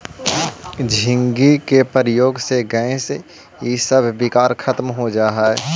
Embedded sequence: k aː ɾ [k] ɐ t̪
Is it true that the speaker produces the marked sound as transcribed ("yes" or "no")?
no